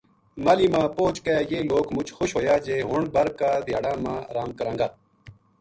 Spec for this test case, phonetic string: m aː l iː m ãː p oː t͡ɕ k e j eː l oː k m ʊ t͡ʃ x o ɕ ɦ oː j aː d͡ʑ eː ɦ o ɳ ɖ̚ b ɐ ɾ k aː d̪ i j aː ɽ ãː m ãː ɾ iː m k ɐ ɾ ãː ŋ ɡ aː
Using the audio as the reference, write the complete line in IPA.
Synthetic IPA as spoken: m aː l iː m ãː p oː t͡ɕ k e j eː l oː k m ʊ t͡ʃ x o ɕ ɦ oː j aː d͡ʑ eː ɦ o ɳ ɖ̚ b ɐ ɾ k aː d̪ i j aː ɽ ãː m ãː ɾ aː m k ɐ ɾ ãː ŋ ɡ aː